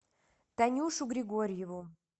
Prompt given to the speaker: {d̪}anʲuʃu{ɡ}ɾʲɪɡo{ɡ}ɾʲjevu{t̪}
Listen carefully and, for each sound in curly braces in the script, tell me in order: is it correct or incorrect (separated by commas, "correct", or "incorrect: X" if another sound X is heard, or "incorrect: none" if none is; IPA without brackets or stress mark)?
incorrect: t̪, correct, incorrect: none, incorrect: none